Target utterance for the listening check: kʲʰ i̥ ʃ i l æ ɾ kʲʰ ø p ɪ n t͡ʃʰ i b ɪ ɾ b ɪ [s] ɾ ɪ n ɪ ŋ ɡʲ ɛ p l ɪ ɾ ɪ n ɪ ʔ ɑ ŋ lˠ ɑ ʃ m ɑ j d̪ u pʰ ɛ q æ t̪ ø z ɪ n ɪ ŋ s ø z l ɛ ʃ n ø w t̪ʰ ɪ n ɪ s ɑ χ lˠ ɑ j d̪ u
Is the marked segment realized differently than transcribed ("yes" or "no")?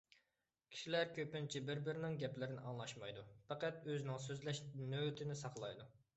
yes